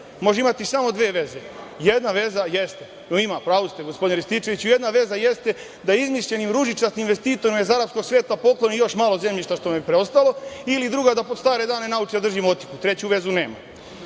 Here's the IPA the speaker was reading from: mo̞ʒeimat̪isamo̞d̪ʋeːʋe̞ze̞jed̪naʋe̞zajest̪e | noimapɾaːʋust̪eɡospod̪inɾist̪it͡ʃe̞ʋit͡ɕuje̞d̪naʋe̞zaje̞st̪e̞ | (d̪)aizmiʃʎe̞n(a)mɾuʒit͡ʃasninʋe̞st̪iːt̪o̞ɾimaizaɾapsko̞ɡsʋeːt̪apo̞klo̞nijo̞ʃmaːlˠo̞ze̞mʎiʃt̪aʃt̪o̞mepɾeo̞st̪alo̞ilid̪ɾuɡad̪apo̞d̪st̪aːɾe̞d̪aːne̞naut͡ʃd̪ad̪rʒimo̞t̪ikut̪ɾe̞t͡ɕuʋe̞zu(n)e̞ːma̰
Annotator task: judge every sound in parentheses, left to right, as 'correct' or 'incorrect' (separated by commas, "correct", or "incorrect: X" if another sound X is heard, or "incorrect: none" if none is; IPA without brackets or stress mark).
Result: correct, incorrect: i, correct